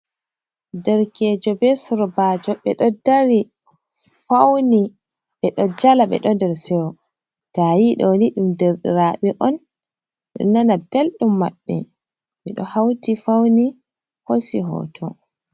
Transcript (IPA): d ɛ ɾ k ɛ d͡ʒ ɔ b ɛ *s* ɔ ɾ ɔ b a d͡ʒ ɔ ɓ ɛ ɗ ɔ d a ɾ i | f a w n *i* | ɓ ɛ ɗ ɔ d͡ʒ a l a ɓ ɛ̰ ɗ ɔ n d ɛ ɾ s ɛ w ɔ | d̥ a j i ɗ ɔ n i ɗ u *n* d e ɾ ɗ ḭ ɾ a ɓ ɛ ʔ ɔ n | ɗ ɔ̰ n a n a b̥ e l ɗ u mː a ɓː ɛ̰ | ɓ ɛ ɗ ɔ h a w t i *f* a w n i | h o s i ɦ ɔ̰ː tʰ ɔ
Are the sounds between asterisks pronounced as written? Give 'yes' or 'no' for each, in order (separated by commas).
yes, yes, no, yes